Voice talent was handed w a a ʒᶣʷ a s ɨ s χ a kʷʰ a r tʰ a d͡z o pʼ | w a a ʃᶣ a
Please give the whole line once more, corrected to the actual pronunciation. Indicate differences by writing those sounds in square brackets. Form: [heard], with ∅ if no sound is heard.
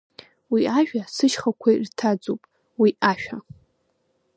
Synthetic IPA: w [i] a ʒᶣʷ a s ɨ [ʃ] χ a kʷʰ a r tʰ a d͡z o pʼ | w [i] a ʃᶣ a